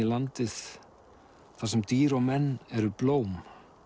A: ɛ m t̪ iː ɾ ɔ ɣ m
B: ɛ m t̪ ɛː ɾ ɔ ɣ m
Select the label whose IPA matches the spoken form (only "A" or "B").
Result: A